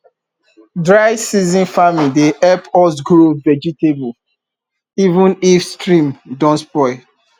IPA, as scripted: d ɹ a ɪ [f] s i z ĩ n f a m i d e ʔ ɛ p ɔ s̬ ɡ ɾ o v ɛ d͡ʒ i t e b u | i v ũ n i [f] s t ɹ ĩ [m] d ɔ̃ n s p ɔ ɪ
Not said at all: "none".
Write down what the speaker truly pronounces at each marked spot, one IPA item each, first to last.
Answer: none, f, m

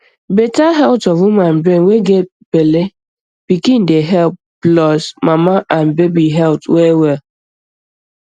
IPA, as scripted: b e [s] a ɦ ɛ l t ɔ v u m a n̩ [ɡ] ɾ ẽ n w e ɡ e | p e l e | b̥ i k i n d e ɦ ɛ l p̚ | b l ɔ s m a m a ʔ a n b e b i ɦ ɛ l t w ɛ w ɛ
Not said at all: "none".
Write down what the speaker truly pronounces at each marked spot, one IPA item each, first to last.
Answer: t, b

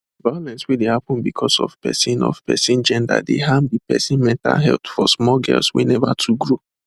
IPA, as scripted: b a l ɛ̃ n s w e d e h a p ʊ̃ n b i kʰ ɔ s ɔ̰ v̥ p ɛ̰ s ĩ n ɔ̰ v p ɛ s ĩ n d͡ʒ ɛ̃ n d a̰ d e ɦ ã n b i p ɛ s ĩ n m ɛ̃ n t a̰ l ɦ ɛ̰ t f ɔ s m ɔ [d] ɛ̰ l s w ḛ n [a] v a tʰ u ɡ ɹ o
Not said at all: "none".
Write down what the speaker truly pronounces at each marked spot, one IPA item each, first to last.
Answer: ɡ, ɛ

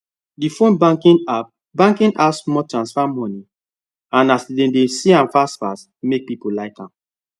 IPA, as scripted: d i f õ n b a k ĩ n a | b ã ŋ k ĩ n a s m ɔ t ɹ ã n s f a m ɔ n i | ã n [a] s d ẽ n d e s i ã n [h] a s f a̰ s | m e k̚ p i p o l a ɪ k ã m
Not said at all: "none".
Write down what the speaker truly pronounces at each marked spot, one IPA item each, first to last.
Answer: a, f

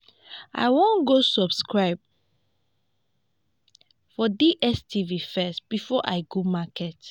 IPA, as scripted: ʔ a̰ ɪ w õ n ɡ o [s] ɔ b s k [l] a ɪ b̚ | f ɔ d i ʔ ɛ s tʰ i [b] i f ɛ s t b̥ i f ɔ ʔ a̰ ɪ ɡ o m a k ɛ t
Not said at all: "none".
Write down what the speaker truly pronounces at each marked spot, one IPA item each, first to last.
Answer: s, ɹ, v

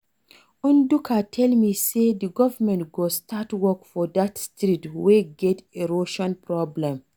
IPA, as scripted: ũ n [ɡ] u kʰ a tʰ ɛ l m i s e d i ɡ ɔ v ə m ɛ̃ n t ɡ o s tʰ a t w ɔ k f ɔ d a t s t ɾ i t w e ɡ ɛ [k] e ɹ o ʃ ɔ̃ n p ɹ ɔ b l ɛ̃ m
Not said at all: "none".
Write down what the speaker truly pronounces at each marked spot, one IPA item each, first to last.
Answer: d, t

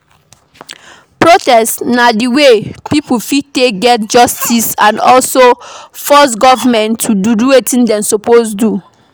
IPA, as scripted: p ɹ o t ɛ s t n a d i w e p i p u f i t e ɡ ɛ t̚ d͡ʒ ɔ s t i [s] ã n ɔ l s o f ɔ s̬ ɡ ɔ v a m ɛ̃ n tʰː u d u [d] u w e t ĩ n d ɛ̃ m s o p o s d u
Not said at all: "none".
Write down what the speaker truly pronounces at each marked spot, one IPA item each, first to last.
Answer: s, d

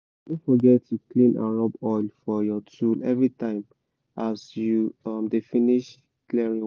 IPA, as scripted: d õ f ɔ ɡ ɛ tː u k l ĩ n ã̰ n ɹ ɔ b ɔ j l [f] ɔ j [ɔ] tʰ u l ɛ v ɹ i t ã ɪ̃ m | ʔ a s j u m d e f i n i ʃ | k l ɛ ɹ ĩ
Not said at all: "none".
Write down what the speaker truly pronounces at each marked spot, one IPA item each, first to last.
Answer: f, ɔ

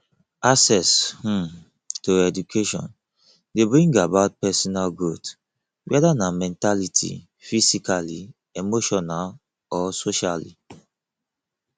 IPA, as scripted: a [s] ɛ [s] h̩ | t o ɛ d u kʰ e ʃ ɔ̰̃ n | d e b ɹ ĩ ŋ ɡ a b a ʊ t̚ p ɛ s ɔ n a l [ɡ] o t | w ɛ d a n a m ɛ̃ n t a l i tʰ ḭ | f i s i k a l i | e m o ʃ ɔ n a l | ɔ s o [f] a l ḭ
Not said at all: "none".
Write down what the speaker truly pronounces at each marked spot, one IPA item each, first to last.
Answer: s, s, ɡ, ʃ

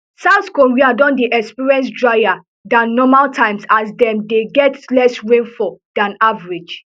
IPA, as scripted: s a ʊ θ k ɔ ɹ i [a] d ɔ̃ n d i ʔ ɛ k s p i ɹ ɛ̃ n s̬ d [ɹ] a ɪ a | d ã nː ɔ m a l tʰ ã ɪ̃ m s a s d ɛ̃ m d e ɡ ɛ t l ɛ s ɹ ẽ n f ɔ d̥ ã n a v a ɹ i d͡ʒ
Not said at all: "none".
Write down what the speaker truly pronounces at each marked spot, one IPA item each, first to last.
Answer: a, ɹ

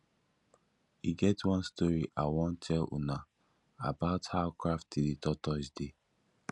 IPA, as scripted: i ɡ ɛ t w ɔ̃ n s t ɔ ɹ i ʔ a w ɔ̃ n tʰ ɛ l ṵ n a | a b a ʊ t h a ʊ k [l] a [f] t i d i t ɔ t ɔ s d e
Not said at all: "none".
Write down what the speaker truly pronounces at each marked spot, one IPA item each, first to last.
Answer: ɹ, f

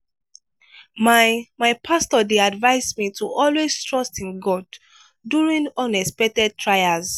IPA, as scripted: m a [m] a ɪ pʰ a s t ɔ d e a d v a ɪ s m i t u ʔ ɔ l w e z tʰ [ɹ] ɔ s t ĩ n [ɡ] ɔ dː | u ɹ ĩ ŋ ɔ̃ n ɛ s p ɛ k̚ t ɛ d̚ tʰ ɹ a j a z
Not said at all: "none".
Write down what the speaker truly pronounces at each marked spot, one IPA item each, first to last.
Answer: m, ɹ, ɡ

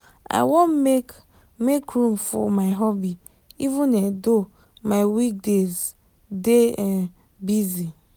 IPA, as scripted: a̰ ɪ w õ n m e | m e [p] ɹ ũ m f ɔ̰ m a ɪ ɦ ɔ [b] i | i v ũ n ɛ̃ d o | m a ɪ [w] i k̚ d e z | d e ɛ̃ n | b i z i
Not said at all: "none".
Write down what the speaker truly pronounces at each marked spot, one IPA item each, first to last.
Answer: k, b, w

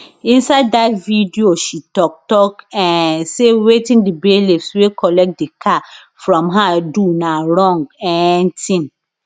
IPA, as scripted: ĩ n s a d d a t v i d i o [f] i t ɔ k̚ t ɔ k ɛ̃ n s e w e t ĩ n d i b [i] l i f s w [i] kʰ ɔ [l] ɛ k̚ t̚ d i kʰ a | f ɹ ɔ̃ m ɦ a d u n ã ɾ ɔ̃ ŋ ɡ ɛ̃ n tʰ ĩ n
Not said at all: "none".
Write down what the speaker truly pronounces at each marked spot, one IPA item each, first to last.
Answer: ʃ, e, e, l

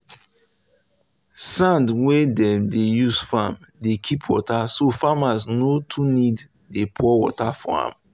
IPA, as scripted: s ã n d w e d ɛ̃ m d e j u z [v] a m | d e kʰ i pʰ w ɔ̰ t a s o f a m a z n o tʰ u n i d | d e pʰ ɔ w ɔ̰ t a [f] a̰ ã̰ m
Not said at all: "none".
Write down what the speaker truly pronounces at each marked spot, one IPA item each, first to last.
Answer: f, f

